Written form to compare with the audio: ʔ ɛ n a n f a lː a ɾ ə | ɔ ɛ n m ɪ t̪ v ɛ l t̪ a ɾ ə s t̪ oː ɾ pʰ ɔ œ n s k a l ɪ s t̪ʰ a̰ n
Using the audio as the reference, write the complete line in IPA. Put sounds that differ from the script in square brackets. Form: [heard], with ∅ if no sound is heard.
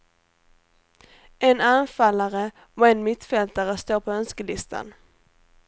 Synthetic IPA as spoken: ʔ ɛ n a n f a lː a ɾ ə | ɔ ɛ n m ɪ t̪ [f] ɛ l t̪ a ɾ ə s t̪ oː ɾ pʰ ɔ œ n s k [ə] l ɪ s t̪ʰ a̰ n